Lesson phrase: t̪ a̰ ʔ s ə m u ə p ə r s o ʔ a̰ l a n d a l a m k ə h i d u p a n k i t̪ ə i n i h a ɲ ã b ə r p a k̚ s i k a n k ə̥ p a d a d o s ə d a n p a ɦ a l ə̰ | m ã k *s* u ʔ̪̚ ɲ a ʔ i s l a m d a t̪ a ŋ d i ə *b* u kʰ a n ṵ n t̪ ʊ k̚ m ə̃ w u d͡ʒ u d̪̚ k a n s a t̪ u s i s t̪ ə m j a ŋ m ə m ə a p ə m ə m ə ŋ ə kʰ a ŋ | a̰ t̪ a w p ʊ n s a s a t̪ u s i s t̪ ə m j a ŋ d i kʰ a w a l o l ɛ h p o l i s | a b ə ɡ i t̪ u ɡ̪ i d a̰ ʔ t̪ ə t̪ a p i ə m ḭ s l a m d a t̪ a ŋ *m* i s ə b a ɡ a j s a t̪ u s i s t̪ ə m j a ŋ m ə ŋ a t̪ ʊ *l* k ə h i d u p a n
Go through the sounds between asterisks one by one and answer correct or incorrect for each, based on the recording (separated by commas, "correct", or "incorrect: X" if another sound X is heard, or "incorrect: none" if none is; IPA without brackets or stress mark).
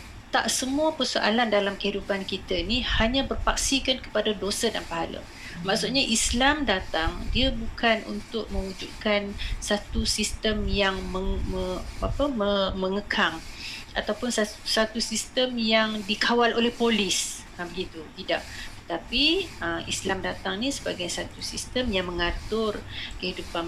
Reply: correct, correct, incorrect: n, incorrect: r